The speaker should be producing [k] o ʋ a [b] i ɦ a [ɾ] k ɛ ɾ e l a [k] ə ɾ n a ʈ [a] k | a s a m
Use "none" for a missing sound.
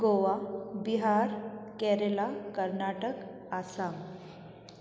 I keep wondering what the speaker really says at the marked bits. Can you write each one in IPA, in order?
ɡ, b, ɾ, k, ə

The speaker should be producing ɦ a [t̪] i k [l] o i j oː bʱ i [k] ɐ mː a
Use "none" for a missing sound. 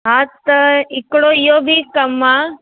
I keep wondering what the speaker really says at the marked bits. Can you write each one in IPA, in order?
t̪, ɽ, k

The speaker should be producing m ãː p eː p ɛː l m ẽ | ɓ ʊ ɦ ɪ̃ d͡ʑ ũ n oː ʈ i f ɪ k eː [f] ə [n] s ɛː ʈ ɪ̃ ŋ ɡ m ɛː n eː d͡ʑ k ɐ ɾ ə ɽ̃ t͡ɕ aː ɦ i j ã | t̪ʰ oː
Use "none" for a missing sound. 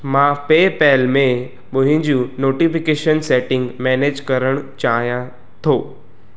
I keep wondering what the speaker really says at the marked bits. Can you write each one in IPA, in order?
ʃ, n

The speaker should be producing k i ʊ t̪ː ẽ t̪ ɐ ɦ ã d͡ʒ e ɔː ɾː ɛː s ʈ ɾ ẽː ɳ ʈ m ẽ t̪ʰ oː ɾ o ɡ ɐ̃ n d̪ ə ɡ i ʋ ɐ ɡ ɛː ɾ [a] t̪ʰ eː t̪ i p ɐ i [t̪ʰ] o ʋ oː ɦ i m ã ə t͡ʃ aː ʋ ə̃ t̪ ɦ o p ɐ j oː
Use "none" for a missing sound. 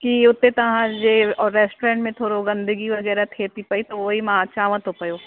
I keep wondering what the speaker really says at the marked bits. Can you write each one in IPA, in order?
a, t̪

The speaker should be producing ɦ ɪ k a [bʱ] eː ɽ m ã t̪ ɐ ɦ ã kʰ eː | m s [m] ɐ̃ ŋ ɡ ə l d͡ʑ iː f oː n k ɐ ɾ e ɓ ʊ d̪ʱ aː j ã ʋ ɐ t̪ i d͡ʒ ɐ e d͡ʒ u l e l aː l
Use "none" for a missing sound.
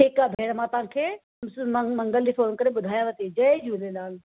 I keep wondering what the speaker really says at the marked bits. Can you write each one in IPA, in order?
bʱ, m

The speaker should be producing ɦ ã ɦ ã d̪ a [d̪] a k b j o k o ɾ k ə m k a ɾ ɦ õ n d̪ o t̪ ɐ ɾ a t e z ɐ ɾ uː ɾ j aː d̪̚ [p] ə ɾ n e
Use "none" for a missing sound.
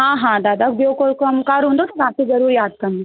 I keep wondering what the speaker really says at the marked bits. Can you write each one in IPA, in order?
d̪, k

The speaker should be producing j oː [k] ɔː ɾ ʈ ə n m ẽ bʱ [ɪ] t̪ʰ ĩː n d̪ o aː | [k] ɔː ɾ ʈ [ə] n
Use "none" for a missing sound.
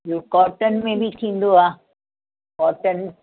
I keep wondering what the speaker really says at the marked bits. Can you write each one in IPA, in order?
k, i, k, ə

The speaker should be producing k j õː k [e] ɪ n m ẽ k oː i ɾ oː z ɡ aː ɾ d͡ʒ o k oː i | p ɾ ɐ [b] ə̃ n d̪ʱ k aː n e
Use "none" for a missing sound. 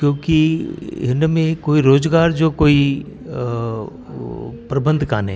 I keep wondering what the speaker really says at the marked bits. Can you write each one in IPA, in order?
i, b

